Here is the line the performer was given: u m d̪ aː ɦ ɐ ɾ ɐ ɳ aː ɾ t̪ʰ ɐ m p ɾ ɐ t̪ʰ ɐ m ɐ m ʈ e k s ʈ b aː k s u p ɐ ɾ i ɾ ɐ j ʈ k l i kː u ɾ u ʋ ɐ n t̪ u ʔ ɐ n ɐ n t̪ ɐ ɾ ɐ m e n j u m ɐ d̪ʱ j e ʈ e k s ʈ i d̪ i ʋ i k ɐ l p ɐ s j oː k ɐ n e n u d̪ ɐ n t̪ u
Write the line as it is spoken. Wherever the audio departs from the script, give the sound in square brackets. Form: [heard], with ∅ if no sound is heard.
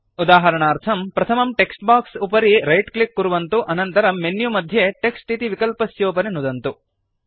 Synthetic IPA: u [∅] d̪ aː ɦ ɐ ɾ ɐ ɳ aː ɾ t̪ʰ ɐ m p ɾ ɐ t̪ʰ ɐ m ɐ m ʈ e k s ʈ b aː k s u p ɐ ɾ i ɾ ɐ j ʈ k l i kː u ɾ u ʋ ɐ n t̪ u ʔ ɐ n ɐ n t̪ ɐ ɾ ɐ m e n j u m ɐ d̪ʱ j e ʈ e k s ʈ i [t̪] i ʋ i k ɐ l p ɐ s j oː [p] ɐ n e n u d̪ ɐ n t̪ u